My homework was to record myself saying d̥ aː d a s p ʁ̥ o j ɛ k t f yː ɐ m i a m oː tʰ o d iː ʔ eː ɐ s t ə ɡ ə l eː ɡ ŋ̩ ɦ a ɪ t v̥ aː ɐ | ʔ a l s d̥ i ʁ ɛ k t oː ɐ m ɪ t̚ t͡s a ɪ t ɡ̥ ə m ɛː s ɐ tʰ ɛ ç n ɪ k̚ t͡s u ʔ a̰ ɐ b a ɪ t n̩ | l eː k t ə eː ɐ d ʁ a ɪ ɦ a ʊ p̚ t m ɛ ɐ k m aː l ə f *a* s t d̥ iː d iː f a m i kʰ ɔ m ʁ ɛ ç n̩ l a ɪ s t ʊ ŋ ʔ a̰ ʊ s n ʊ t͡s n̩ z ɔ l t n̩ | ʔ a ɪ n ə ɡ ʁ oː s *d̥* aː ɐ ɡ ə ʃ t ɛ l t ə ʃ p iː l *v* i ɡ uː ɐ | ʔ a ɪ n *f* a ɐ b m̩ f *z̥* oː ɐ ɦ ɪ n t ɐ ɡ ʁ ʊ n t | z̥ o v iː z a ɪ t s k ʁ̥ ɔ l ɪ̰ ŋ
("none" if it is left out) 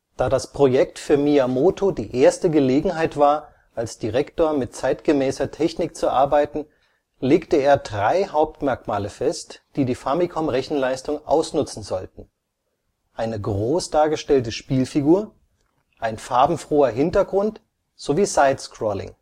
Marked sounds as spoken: ɛ, d̥, f, f, ʁ̥

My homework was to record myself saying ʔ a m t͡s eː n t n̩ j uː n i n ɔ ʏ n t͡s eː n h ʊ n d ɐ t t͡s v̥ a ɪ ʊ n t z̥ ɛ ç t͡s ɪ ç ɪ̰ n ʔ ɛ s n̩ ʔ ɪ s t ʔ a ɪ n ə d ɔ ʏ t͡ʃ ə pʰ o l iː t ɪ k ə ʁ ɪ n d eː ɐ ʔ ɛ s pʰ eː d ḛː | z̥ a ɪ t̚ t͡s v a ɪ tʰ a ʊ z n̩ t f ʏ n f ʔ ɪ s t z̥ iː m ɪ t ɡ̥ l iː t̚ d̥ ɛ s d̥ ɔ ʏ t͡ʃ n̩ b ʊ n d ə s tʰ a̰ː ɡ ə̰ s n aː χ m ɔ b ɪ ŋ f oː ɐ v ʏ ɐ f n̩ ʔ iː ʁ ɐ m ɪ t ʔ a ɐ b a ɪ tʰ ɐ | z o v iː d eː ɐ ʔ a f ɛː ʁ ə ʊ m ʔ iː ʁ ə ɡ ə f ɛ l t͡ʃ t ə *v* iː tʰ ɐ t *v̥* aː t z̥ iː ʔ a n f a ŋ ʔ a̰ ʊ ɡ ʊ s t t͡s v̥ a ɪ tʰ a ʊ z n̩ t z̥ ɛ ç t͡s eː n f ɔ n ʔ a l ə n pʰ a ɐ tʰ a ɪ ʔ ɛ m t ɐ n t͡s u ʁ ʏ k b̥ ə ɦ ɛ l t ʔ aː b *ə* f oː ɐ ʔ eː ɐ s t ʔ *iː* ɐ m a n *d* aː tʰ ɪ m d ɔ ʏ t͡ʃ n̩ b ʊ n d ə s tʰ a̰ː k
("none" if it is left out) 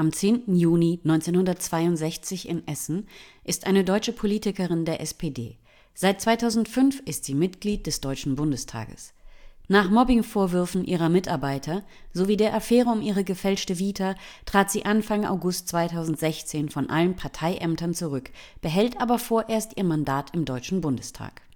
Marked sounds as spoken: v, ʁ̥, ɐ, iː, d

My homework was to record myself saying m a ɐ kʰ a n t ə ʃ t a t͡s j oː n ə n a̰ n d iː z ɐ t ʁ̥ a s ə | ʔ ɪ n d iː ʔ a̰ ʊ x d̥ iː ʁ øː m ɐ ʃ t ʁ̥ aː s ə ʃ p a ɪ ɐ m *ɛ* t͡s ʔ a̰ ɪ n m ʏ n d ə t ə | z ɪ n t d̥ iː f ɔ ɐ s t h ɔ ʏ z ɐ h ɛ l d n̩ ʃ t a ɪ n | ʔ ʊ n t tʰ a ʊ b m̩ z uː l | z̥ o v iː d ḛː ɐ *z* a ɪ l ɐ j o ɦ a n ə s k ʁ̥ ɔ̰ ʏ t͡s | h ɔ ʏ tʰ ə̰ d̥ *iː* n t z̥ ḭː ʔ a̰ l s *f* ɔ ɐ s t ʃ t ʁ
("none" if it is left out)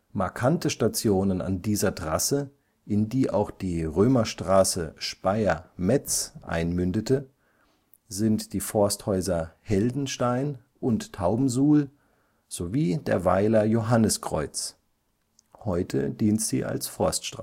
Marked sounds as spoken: ɛ, v, iː, f

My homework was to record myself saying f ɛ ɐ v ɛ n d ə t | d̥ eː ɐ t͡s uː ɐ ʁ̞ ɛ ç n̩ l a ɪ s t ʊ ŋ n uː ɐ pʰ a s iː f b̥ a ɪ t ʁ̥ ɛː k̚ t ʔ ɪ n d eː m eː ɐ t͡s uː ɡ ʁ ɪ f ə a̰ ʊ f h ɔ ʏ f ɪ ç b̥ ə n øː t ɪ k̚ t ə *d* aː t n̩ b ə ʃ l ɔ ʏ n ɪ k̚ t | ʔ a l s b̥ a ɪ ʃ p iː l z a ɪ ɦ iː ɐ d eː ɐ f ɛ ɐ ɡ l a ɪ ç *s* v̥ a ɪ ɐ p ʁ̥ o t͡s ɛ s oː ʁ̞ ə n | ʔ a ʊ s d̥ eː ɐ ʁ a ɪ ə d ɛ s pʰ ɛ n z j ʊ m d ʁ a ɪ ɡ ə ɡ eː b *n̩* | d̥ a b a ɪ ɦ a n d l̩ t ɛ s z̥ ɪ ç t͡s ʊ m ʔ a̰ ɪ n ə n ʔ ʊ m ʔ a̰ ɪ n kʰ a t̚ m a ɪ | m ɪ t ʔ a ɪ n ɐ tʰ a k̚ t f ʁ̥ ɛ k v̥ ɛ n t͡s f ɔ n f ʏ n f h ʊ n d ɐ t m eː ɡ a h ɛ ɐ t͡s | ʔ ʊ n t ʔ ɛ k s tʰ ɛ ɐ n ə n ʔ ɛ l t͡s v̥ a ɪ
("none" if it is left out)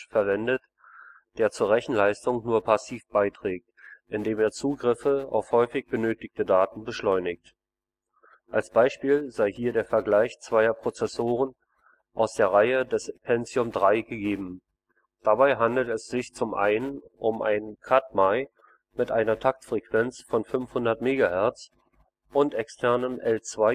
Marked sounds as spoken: d, t͡s, m̩

